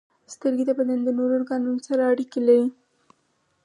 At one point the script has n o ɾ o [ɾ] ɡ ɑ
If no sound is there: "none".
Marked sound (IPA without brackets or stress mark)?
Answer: ɾ